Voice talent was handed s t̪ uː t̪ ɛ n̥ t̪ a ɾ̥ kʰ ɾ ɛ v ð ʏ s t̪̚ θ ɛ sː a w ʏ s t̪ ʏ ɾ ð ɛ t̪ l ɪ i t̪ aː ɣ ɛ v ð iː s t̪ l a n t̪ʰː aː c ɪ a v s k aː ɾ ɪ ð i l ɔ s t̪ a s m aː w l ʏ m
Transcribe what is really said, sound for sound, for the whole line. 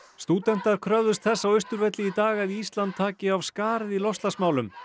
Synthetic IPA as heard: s t̪ uː t̪ ɛ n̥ t̪ a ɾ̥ kʰ ɾ œ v ð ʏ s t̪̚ θ ɛ sː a w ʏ s t̪ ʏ ɾ v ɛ t̪ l ɪ i t̪ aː ɣ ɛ ð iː s t̪ l a n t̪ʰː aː c ɪ a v s k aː ɾ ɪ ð i l ɔ s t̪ a s m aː w l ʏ m